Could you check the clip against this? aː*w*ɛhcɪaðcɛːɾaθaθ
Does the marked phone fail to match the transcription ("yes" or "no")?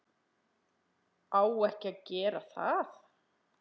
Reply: no